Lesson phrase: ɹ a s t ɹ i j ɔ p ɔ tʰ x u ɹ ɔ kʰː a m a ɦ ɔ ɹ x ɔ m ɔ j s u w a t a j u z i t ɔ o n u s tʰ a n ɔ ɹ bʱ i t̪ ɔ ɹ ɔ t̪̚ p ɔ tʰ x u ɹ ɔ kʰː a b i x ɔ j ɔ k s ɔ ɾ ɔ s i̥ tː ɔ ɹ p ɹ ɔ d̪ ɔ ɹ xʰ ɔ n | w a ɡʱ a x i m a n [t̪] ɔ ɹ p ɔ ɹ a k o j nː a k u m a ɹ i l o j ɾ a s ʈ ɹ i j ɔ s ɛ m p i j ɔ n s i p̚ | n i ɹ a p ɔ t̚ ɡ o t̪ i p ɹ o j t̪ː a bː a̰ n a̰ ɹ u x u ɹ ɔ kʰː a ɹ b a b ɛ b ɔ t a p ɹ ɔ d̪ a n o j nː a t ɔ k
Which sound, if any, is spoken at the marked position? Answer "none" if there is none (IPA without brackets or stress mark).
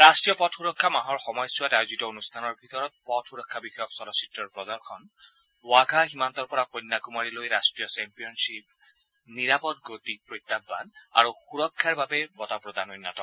t̪